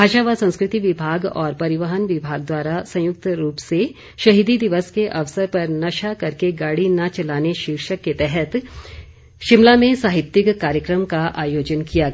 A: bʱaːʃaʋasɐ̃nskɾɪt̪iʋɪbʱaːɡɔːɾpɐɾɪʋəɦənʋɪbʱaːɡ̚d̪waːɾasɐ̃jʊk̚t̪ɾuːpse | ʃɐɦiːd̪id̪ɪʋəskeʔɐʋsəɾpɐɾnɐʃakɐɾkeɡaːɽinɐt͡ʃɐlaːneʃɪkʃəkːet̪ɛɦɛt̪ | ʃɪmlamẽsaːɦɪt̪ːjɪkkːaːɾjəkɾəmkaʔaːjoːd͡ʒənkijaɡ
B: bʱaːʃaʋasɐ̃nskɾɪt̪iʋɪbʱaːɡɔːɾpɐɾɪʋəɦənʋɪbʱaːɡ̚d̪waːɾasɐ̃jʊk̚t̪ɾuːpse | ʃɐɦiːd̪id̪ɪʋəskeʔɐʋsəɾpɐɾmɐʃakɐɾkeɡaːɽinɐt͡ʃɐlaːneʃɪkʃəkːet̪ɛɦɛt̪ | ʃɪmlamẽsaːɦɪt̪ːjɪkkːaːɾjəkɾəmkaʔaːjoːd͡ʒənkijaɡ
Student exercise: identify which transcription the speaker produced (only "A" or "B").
A